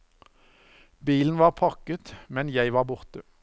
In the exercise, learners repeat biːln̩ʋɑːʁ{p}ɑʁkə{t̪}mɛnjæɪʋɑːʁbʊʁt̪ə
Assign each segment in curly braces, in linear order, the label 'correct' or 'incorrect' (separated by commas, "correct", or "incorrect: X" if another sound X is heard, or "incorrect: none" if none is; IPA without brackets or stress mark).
incorrect: pʰ, correct